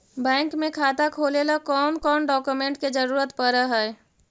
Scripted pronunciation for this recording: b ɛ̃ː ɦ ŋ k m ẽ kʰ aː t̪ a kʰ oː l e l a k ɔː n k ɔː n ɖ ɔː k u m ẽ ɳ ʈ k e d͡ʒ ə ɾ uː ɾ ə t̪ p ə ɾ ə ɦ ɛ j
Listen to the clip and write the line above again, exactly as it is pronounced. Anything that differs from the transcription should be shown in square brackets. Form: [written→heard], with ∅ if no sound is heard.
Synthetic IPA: b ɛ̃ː [ɦ→∅] ŋ k m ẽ kʰ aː t̪ a kʰ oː l e l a k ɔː n k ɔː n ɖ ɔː k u m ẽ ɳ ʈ k e d͡ʒ ə ɾ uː ɾ ə t̪ p ə ɾ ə ɦ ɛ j